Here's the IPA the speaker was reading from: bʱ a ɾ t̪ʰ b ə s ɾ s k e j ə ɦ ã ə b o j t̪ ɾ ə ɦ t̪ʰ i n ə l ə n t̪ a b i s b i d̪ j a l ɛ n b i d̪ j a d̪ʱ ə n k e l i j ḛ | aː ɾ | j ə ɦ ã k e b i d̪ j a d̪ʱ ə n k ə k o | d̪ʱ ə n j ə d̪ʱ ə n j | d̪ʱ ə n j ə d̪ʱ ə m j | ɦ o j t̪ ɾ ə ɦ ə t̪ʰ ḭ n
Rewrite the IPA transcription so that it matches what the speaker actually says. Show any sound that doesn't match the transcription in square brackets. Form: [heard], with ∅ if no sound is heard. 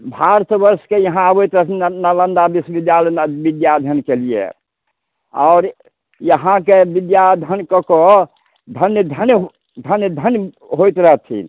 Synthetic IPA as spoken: bʱ a ɾ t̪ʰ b ə [∅] ɾ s k e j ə ɦ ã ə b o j t̪ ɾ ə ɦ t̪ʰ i n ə l ə n [d̪] a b i s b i d̪ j a l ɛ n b i d̪ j a d̪ʱ ə n k e l i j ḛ | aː ɾ | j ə ɦ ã k e b i d̪ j a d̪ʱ ə n k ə k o | d̪ʱ ə n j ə d̪ʱ ə n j | d̪ʱ ə n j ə d̪ʱ ə [n] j | ɦ o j t̪ ɾ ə ɦ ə t̪ʰ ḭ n